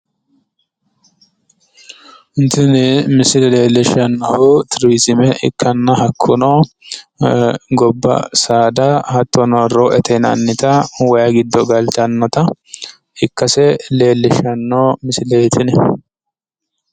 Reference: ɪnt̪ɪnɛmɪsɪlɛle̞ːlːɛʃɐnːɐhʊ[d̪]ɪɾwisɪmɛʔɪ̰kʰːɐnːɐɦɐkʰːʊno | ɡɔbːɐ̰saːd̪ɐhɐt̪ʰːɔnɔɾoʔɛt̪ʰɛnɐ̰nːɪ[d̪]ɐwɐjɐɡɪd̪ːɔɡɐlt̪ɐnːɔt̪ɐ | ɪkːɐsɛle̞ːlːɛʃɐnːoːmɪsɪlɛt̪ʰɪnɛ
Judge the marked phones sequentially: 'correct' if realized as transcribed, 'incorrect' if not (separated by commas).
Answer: incorrect, incorrect